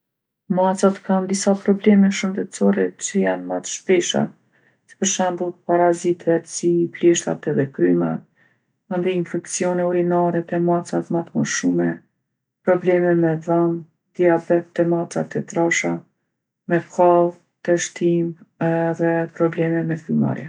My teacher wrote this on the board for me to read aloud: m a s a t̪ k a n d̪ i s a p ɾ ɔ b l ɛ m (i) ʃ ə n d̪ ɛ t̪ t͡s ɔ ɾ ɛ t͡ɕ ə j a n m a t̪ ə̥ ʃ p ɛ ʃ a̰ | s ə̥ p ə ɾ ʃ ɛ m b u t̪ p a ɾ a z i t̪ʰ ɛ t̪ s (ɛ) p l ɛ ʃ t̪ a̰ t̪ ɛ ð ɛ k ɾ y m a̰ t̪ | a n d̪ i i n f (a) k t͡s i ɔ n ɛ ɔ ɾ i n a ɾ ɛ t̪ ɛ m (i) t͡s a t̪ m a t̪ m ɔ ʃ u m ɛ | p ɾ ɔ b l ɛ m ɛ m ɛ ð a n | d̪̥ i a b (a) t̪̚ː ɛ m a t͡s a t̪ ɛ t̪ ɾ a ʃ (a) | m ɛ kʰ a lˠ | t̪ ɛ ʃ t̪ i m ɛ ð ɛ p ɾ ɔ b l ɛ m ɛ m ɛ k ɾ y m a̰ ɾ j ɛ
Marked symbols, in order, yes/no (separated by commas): no, no, no, no, no, yes